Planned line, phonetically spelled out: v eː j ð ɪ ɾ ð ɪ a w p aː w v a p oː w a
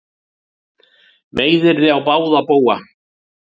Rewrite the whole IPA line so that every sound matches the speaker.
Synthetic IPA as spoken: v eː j ð ɪ ɾ ð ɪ a w p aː w ð a p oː w a